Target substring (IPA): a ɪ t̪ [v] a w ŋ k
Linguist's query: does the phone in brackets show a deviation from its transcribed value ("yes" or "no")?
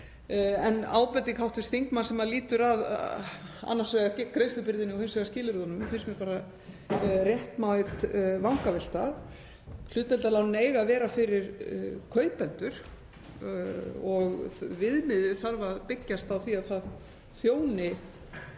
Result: no